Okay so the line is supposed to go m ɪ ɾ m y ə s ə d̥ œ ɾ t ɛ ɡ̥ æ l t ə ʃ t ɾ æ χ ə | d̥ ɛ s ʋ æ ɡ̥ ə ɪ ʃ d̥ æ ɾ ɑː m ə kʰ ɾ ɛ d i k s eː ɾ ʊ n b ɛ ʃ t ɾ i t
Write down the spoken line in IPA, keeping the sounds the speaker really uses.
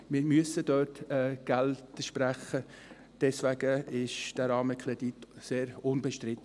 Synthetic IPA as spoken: m ɪ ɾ m y ə s ə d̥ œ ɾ t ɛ ɡ̥ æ l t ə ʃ p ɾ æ χ ə | d̥ ɛ s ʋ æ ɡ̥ ə ɪ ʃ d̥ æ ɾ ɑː m ə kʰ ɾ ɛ d i t s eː ɾ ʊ n b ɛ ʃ t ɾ ɪ t